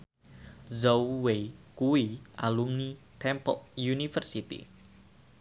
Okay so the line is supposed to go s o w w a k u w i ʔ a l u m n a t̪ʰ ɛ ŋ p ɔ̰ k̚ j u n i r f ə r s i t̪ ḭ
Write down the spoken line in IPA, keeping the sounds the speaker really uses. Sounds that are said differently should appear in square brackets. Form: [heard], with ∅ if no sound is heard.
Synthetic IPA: [z] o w w [e] k u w i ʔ a l u m n [i] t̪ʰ ɛ [m] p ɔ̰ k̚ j u n i [∅] f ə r s i t̪ ḭ